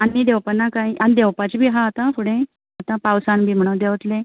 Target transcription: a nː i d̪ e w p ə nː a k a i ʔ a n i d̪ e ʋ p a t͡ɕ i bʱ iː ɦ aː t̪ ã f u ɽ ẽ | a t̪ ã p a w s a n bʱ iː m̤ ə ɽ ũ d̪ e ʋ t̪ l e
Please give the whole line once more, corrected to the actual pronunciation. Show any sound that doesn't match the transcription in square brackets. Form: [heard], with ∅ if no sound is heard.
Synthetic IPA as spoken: a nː i d̪ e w p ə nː a k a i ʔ a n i d̪ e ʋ p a t͡ɕ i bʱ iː ɦ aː t̪ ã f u ɽ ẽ | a t̪ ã p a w s a n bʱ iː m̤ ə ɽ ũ d̪ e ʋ t̪ l e